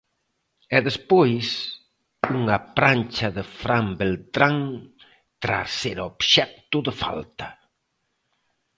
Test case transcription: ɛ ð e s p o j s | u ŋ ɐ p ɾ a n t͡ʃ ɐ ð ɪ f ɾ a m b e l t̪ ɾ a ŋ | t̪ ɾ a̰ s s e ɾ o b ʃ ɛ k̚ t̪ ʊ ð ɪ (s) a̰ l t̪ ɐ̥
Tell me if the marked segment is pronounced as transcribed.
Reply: no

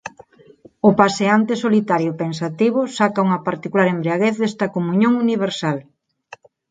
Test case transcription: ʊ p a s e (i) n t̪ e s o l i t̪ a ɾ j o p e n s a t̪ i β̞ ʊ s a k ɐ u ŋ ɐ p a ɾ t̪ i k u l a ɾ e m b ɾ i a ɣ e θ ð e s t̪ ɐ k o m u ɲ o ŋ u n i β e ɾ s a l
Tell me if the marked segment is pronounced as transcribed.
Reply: no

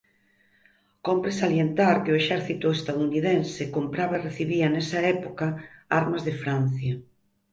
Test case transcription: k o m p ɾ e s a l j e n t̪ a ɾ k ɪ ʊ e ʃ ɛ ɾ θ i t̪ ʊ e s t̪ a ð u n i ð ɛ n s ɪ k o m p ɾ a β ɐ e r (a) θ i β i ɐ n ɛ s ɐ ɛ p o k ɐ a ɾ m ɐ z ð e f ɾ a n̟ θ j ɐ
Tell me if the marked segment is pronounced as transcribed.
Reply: no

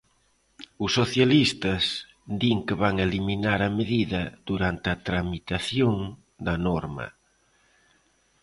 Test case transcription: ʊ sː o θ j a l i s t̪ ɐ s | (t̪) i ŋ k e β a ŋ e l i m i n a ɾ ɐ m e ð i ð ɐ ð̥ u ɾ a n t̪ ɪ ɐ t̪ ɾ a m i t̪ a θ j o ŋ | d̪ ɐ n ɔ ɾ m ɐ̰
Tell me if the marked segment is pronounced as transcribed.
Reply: no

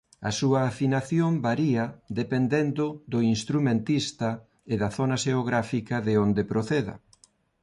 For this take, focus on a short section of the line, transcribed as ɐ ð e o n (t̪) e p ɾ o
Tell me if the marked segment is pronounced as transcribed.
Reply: no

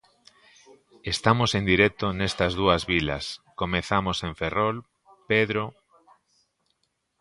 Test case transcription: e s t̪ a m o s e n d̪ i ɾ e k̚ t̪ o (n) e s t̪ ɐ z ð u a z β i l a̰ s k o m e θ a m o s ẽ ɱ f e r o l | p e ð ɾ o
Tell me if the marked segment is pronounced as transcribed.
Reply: yes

